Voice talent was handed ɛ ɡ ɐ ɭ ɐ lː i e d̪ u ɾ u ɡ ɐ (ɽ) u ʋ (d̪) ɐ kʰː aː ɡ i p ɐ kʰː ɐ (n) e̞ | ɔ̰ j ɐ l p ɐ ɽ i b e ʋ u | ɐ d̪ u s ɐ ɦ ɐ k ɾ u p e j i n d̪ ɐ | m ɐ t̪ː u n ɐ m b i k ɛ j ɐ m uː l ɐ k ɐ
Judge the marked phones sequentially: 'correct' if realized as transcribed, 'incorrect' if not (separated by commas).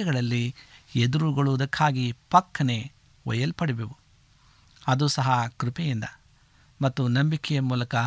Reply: incorrect, correct, correct